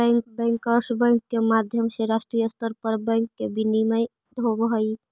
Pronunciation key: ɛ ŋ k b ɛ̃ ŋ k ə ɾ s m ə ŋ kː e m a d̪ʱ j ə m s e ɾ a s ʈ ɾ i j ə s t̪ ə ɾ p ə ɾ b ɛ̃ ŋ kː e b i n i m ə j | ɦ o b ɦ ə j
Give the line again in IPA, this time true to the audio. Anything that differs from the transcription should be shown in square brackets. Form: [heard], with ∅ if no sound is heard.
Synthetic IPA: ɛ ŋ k b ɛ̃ ŋ k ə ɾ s [b] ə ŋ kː e m a d̪ʱ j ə m s e ɾ a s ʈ ɾ i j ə s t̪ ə ɾ p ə ɾ b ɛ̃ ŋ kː e b i n i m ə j | ɦ o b ɦ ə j